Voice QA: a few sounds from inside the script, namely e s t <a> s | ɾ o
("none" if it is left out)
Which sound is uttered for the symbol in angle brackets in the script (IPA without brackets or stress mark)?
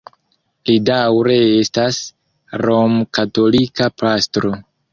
a